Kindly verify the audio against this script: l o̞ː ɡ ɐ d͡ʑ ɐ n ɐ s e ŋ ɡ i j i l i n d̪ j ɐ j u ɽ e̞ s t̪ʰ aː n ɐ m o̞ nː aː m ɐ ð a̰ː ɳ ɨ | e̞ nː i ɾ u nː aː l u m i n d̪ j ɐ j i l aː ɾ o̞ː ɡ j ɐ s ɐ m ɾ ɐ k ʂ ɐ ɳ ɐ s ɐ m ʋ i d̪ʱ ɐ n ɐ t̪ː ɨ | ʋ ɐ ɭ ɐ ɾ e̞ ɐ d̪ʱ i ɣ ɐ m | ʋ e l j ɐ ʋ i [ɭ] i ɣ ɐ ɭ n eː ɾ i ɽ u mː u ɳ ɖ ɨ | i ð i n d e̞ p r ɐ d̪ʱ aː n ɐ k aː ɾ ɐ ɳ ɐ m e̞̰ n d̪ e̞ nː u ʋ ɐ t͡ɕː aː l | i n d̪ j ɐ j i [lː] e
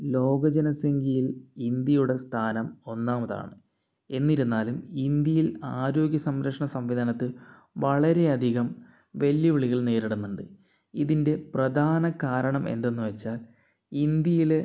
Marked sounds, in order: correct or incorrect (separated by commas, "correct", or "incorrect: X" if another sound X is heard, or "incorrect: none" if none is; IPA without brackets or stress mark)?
correct, incorrect: l